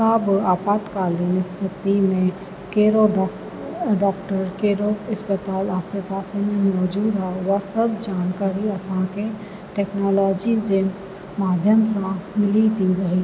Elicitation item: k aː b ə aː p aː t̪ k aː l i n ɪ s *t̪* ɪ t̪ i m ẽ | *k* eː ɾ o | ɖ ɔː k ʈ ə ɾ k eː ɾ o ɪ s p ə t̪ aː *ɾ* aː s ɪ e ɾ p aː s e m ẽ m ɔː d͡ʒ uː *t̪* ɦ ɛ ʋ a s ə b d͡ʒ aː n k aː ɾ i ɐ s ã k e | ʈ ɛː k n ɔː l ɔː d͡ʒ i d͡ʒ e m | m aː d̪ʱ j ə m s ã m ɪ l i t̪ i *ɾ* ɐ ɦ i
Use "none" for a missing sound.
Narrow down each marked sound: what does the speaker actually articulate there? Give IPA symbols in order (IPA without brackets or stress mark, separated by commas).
t̪ʰ, k, l, d̪, ɾ